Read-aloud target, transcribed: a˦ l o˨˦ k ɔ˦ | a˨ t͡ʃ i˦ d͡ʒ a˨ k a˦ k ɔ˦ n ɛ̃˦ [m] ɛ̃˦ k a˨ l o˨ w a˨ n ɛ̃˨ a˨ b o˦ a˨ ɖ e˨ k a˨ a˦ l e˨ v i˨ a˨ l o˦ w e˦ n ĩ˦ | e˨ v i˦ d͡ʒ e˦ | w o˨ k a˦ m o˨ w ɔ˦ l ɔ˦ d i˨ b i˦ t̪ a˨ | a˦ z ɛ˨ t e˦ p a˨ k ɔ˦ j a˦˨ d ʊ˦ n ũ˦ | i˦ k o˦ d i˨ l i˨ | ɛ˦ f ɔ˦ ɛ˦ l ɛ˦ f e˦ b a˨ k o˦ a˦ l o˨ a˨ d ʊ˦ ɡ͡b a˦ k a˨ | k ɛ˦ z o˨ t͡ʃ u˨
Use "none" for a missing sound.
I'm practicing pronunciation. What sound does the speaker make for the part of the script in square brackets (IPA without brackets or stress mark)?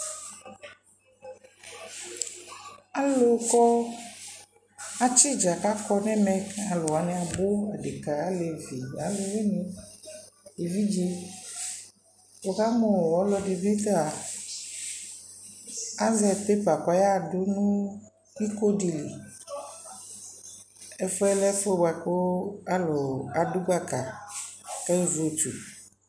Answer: m